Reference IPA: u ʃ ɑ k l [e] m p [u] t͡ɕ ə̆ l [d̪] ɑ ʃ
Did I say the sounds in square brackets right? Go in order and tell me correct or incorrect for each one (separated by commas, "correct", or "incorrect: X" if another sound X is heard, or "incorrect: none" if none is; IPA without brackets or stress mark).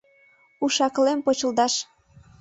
correct, incorrect: o, correct